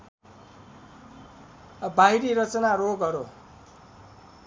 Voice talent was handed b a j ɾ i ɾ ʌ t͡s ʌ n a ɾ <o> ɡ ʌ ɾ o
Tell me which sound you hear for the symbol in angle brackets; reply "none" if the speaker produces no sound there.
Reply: o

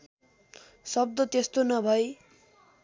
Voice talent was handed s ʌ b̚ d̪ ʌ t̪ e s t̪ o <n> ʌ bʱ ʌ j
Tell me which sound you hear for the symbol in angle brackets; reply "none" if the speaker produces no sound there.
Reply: n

